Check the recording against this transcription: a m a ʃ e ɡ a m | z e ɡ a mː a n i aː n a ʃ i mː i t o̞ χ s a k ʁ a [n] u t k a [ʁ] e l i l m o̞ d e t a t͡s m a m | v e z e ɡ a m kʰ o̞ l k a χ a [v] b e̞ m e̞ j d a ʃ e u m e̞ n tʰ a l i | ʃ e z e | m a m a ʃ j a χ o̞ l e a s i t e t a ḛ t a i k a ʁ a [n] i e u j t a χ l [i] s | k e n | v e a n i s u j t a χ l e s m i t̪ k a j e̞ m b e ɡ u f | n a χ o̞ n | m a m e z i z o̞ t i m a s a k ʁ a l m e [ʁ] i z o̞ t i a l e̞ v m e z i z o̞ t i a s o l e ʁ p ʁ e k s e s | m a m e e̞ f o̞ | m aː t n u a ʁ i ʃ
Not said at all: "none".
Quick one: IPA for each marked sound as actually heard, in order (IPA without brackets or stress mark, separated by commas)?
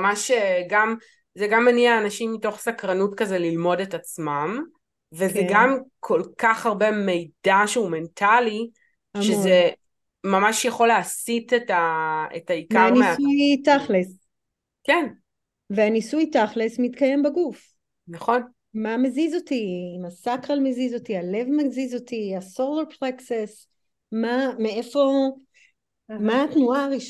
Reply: n, z, ʁ, n, e, z